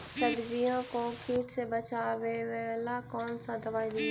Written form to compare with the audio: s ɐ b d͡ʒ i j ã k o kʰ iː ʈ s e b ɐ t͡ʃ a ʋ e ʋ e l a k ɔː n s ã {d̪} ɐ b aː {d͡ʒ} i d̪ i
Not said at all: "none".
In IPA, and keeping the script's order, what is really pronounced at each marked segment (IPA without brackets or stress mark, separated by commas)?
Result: d̪, none